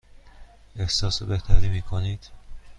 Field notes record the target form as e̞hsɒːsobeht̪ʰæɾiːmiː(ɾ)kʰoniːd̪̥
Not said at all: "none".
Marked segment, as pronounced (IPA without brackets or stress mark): none